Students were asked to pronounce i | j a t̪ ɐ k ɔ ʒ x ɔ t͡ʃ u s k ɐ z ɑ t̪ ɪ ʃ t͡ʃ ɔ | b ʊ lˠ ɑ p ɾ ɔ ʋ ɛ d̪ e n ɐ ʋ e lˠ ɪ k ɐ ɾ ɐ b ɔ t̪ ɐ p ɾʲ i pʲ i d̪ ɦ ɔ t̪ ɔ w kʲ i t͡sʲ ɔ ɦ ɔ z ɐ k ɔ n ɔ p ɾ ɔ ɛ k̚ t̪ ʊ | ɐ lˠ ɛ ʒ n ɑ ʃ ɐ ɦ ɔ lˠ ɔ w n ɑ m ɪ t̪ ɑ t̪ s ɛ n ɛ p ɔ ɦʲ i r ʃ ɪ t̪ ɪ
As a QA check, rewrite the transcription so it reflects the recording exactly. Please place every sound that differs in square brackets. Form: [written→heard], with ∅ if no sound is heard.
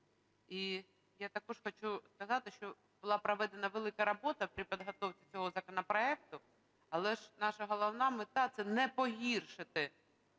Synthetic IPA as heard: i | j a t̪ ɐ k ɔ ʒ x ɔ t͡ʃ u s k ɐ z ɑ t̪ ɪ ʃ t͡ʃ ɔ | b ʊ lˠ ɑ p ɾ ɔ ʋ ɛ d̪ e n ɐ ʋ e lˠ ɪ k ɐ ɾ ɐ b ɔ t̪ ɐ p ɾʲ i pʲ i d̪ ɦ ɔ t̪ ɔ w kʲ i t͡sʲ ɔ ɦ ɔ z ɐ k ɔ n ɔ p ɾ ɔ ɛ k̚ t̪ ʊ | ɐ lˠ ɛ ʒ n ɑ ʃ ɐ ɦ ɔ lˠ ɔ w n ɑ m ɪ t̪ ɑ t̪ s ɛ n ɛ p ɔ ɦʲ i r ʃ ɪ t̪ ɪ